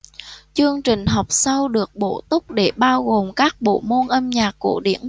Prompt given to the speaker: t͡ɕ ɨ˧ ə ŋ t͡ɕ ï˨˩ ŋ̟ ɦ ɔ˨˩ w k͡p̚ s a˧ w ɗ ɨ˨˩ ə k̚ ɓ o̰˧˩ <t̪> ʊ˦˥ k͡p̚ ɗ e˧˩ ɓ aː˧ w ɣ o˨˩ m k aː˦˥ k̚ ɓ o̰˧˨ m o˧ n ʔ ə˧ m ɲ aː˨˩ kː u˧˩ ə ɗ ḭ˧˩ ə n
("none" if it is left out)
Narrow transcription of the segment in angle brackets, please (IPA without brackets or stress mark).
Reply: t̪